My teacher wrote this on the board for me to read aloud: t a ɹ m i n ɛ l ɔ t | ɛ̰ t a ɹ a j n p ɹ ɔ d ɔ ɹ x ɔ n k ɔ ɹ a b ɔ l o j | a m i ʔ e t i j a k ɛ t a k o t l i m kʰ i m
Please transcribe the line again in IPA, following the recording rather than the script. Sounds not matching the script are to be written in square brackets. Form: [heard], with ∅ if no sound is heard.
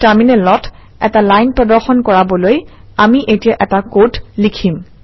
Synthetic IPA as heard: t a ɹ m i n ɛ l ɔ t | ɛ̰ t a [l] a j n p ɹ ɔ d ɔ ɹ x ɔ n k ɔ ɹ a b ɔ l o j | a m i ʔ e t i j a [ʔ] ɛ t a k o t l i [∅] kʰ i m